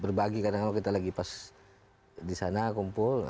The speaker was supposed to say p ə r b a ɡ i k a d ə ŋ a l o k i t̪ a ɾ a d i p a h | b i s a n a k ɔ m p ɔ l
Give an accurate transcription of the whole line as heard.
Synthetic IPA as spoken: b ə r b a ɡ i k a d a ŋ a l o k i t̪ a l a ɡ i p a s | d i s a n a k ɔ m p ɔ l